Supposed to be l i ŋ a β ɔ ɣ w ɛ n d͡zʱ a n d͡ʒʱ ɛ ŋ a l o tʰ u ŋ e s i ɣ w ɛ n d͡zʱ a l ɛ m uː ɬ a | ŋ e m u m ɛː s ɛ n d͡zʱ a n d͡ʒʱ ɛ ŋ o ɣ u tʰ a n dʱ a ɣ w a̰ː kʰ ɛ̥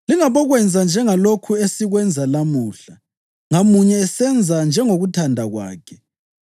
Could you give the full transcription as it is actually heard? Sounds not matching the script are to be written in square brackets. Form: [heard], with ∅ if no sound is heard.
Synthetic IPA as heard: l i ŋ a β ɔ ɣ w ɛ n d͡zʱ a n d͡ʒʱ ɛ ŋ a l o [kʰ] u [∅] e s i ɣ w ɛ n d͡zʱ a l [a] m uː ɬ a | ŋ [a] m u [ɲ] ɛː s ɛ n d͡zʱ a n d͡ʒʱ ɛ ŋ o ɣ u tʰ a n dʱ a ɣ w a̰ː kʰ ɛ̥

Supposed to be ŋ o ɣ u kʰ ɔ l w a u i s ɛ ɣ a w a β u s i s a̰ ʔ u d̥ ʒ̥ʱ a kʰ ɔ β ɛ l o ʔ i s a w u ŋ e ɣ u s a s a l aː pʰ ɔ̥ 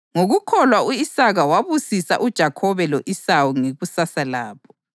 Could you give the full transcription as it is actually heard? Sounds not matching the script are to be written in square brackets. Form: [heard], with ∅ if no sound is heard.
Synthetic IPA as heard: ŋ o ɣ u kʰ ɔ l w a u i s [a] ɣ a w a β u s i s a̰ ʔ u d̥ ʒ̥ʱ a kʰ ɔ β ɛ l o ʔ i s a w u ŋ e ɣ u s a s a l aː pʰ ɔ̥

